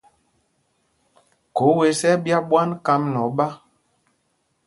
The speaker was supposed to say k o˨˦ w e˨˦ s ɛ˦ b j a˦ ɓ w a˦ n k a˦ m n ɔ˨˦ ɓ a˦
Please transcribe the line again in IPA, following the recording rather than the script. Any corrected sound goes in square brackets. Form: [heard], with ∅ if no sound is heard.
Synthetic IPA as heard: k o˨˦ w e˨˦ s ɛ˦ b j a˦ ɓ w a˦ n k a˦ m n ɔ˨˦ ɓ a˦